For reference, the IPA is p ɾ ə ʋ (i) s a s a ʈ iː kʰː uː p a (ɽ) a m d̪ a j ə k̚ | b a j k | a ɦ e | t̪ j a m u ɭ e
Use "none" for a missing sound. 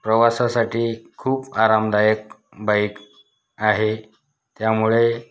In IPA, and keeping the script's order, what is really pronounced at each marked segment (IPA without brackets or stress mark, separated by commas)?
a, ɾ